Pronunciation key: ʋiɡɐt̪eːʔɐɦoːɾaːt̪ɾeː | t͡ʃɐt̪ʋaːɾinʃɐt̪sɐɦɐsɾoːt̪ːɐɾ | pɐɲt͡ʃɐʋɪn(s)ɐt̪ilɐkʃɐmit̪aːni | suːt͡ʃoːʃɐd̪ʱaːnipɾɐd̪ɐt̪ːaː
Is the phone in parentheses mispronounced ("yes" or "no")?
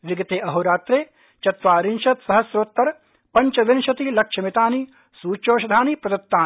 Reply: yes